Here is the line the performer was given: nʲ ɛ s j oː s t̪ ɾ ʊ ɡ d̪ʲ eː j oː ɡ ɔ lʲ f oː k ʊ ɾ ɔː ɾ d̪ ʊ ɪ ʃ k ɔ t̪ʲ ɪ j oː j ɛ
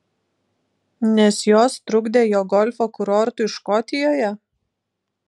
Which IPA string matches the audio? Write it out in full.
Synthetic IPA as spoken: nʲ ɛ s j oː s t̪ ɾ ʊ ɡ d̪ʲ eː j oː ɡ ɔ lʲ f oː k ʊ ɾ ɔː ɾ t̪ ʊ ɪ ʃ k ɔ t̪ʲ ɪ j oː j ɛ

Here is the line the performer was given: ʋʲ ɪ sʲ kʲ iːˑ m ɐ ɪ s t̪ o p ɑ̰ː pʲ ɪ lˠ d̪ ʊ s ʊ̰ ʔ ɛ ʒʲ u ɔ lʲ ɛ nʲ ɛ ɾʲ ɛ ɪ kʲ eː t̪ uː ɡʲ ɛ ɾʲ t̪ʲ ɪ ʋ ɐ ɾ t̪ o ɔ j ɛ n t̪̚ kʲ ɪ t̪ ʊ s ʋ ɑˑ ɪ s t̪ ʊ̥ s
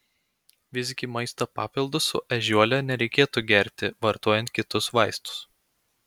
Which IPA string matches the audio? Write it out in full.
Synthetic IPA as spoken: ʋʲ ɪ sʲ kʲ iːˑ m ɐ ɪ s t̪ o p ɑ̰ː pʲ ɪ lˠ d̪ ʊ s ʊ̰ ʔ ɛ ʒʲ u ɔ lʲ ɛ nʲ ɛ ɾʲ ɛ ɪ kʲ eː t̪ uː ɡʲ ɛ ɾʲ t̪ʲ ɪ ʋ ɐ ɾ t̪ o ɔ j ɛ n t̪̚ kʲ ɪ t̪ ʊ s ʋ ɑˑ ɪ s t̪ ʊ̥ s

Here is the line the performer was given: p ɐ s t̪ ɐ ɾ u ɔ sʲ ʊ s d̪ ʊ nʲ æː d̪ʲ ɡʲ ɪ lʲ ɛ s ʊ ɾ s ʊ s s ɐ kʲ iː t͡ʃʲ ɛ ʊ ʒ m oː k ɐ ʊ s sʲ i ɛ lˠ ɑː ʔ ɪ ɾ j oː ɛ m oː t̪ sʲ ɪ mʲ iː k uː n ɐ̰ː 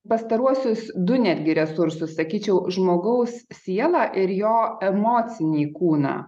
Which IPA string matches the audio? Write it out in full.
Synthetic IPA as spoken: p ɐ s t̪ ɐ ɾ u ɔ sʲ ʊ s d̪ ʊ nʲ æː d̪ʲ ɡʲ ɪ ɾʲ ɛ s ʊ ɾ s ʊ s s ɐ kʲ iː t͡ʃʲ ɛ ʊ ʒ m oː ɡ ɐ ʊ s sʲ i ɛ lˠ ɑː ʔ ɪ ɾ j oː ɛ m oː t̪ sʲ ɪ nʲ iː k uː n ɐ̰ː

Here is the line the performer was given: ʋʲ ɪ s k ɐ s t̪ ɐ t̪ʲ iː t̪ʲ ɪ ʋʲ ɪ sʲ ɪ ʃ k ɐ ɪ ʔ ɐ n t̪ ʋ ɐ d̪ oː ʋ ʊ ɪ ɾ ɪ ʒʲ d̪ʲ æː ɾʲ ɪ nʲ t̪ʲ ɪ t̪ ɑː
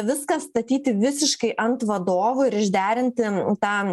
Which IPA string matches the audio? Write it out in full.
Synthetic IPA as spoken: ʋʲ ɪ s k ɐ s t̪ ɐ t̪ʲ iː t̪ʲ ɪ ʋʲ ɪ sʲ ɪ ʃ k ɐ ɪ ʔ ɐ n t̪ ʋ ɐ d̪ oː ʋ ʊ ɪ ɾ ɪ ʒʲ d̪ʲ æː ɾʲ ɪ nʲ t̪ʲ ɪ t̪ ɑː

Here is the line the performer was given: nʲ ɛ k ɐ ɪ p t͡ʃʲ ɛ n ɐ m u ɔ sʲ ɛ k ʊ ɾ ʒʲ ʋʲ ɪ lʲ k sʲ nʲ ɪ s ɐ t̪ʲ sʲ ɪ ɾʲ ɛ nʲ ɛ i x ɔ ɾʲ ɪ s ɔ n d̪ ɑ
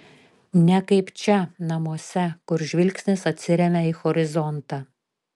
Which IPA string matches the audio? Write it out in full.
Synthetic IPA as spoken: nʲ ɛ k ɐ ɪ p t͡ʃʲ ɛ n ɐ m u ɔ sʲ ɛ k ʊ ɾ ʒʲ ʋʲ ɪ lʲ k sʲ nʲ ɪ s ɐ t̪ʲ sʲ ɪ ɾʲ ɛ mʲ ɛ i x ɔ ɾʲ ɪ z ɔ n t̪ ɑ

